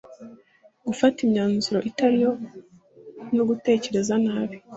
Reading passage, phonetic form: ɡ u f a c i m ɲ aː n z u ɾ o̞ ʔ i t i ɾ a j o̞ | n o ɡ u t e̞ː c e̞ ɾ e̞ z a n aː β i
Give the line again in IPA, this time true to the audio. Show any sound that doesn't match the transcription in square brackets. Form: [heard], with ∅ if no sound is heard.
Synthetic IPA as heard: ɡ u f a [t] i m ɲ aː n z u ɾ o̞ ʔ i t [a] ɾ [i] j o̞ | n o ɡ u t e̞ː c e̞ ɾ e̞ z a n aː β i